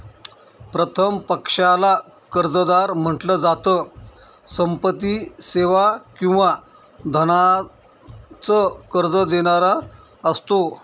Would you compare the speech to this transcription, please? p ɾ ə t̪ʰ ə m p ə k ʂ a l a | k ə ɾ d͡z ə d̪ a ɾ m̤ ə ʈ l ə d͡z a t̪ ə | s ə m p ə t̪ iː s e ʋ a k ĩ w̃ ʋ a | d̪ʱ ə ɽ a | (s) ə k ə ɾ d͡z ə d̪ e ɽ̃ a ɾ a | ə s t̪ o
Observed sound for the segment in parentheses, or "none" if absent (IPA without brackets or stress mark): t͡s